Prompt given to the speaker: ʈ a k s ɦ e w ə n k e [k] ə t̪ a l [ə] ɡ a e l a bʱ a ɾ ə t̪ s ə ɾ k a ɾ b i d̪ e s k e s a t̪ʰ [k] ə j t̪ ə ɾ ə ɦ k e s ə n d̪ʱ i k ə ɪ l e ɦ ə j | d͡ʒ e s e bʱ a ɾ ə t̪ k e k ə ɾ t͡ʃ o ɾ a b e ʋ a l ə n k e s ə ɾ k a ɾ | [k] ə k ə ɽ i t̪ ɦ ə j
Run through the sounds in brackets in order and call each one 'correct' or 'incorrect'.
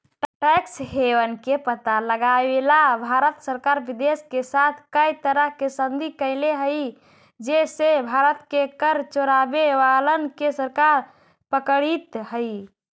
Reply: incorrect: p, correct, correct, incorrect: p

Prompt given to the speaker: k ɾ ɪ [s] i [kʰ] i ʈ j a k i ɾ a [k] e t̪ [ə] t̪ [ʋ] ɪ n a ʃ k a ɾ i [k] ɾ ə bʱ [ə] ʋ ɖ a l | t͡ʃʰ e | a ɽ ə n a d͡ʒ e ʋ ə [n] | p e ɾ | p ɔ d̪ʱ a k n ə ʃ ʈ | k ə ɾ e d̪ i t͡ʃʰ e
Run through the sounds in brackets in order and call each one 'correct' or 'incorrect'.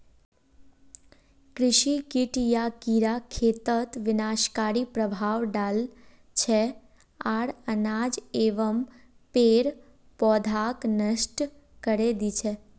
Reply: incorrect: ʃ, incorrect: k, incorrect: kʰ, correct, correct, incorrect: p, incorrect: a, incorrect: m

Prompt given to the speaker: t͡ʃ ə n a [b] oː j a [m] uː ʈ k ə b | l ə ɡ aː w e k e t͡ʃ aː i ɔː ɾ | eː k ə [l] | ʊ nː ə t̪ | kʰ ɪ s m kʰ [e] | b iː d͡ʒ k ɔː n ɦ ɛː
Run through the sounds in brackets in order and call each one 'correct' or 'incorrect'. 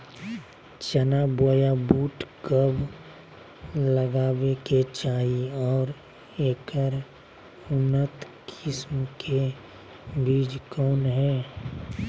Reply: correct, incorrect: b, incorrect: ɾ, correct

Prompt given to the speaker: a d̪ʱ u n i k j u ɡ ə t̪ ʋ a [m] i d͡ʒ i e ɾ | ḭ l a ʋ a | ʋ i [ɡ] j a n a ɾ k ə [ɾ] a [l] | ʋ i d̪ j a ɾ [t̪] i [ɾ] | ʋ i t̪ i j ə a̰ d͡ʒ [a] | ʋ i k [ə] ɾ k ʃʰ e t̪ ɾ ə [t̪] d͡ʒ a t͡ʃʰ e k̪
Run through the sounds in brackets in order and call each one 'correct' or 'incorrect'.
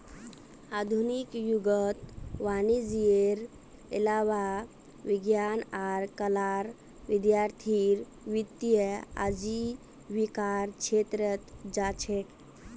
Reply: incorrect: n, correct, incorrect: l, incorrect: ɾ, incorrect: t̪ʰ, correct, incorrect: i, incorrect: a, correct

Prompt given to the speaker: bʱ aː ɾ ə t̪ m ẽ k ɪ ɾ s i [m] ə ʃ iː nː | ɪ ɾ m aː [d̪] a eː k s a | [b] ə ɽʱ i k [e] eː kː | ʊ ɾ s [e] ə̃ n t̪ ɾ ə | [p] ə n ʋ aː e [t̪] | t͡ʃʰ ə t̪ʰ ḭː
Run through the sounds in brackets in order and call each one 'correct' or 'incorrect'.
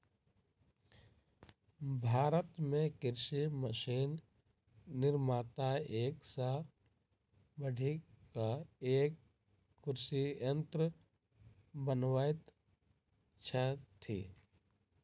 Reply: correct, incorrect: t̪, correct, incorrect: a, incorrect: i, incorrect: b, correct

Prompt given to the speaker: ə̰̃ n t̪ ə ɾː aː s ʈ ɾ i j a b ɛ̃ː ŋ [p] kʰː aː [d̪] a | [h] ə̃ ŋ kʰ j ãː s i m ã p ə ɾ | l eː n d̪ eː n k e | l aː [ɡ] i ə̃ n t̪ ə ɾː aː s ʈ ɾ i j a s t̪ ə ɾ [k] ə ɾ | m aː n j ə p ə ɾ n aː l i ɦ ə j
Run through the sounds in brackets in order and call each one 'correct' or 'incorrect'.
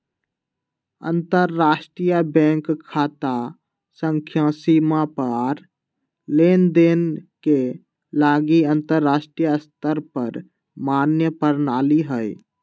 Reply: incorrect: k, incorrect: t̪, incorrect: s, correct, incorrect: p

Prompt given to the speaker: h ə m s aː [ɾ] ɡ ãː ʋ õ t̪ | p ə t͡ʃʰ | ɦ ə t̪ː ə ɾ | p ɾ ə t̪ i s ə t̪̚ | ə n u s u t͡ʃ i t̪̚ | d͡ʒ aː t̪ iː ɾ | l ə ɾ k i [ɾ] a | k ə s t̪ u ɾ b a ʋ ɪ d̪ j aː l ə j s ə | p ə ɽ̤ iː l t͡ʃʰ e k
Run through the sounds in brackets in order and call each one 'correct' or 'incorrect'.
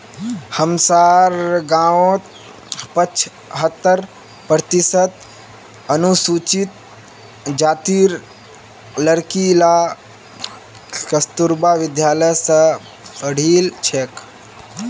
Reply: correct, incorrect: l

